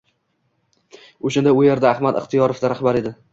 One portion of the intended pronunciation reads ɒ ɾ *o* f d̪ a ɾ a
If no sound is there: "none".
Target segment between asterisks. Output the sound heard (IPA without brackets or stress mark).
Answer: o